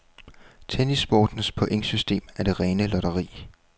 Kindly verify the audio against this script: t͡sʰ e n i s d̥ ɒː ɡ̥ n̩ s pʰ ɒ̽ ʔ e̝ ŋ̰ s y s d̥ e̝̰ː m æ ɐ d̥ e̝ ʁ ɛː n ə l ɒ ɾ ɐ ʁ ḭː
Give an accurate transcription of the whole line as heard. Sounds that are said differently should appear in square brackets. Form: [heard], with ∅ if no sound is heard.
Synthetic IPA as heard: t͡sʰ e n i s [b̥] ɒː [d̥] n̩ s pʰ ɒ̽ ʔ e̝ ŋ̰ s y s d̥ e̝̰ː m æ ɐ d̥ e̝ ʁ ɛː n ə l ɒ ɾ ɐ ʁ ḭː

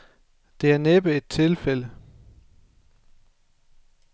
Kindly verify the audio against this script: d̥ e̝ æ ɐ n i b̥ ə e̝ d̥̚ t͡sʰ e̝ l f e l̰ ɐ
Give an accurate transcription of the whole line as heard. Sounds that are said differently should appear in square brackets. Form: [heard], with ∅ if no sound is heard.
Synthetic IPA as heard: d̥ e̝ æ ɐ n [e] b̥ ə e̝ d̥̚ t͡sʰ e̝ l f e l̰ [ə]

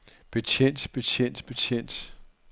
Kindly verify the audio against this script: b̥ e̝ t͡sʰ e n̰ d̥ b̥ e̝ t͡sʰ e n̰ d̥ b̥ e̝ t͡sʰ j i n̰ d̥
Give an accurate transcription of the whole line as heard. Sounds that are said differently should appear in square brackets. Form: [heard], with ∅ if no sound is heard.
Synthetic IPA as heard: b̥ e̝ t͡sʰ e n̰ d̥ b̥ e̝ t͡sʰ e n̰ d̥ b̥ e̝ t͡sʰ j [e] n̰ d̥

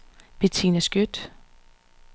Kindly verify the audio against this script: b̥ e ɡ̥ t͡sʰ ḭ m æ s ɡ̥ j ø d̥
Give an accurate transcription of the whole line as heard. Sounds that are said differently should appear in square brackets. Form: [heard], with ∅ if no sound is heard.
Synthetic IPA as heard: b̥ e [∅] t͡sʰ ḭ [n] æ s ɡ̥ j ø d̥

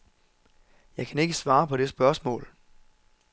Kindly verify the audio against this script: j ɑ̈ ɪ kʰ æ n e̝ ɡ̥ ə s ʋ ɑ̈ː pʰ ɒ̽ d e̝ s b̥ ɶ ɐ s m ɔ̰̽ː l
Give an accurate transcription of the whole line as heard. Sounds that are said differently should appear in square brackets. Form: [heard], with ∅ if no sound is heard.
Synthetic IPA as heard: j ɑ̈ ɪ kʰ æ n e̝ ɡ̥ ə s ʋ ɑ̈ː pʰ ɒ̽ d e̝ s b̥ ɶ ɐ s m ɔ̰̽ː l

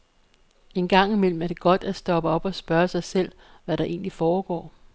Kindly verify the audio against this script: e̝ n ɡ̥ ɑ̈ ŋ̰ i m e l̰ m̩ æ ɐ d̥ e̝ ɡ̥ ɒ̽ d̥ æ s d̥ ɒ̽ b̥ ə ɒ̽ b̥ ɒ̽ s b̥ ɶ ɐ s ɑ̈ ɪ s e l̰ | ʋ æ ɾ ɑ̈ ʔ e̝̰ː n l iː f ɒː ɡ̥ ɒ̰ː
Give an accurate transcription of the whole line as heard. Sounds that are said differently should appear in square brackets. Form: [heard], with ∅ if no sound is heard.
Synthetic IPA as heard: e̝ n ɡ̥ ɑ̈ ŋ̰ i m e l̰ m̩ æ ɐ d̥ e̝ ɡ̥ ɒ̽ d̥ æ s d̥ ɒ̽ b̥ ə ɒ̽ b̥ ɒ̽ s b̥ ɶ ɐ s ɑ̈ ɪ s e l̰ | ʋ æ ɾ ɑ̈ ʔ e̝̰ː n l [i] f ɒː ɡ̥ ɒ̰ː

